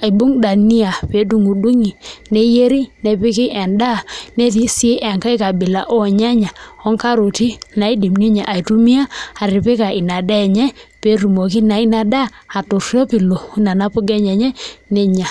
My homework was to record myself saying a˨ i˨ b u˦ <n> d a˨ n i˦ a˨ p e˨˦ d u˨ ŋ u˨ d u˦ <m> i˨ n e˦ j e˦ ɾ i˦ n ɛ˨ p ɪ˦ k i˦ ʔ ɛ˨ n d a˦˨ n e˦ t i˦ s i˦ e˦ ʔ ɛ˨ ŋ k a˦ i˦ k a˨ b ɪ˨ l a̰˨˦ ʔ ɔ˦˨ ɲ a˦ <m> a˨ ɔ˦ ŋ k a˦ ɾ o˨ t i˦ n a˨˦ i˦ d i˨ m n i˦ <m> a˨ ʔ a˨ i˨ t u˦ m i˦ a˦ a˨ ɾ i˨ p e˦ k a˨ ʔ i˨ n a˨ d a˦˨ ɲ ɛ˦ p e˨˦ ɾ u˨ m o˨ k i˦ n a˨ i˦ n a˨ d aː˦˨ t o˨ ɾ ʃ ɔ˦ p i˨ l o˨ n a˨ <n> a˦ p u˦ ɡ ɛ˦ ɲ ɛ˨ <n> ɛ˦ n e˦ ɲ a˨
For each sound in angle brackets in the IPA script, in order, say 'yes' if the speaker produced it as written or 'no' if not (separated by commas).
no, no, no, no, yes, no